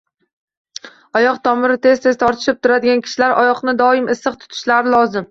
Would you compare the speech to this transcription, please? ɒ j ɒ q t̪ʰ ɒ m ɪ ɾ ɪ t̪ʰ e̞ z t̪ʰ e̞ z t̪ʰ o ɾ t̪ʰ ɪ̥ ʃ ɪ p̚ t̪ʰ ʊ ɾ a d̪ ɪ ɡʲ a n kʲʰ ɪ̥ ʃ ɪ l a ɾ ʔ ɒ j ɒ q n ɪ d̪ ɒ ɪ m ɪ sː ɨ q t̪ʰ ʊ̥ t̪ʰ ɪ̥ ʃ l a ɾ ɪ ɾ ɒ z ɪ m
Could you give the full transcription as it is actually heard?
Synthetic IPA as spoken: ɒ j ɒ q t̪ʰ ɒ m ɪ ɾ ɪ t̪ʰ e̞ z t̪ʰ e̞ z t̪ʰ ɒ ɾ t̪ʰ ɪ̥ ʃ ɪ p̚ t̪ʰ ʊ ɾ a d̪ ɪ ɡʲ a n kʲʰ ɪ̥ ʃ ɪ l a ɾ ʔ ɒ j ɒ q n ɪ d̪ ɒ ɪ m ɪ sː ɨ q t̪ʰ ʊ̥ t̪ʰ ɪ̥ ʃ l a ɾ ɪ l ɒ z ɪ m